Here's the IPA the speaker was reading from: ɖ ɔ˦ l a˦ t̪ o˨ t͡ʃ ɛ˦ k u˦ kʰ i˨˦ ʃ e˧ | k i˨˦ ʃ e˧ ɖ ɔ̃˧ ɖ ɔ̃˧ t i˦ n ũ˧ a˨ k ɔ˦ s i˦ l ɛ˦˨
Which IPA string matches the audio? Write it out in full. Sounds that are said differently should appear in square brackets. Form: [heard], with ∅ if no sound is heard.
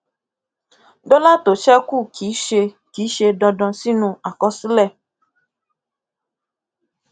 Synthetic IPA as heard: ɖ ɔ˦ l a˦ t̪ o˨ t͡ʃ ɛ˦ k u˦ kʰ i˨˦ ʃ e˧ | k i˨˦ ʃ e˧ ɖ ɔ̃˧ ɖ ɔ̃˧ [s] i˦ n ũ˧ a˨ k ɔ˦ s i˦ l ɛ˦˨